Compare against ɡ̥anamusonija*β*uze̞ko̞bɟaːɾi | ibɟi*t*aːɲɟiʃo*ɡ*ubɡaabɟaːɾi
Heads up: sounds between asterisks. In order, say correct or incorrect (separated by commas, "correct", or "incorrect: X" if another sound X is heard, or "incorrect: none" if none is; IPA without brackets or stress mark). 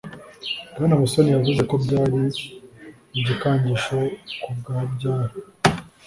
incorrect: v, incorrect: k, incorrect: k